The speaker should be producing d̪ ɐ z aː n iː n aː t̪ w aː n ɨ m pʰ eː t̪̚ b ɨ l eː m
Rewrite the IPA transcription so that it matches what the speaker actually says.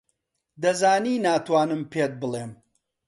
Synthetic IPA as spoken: d̪ ɐ z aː n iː n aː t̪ w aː n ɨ m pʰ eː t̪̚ b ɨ l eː m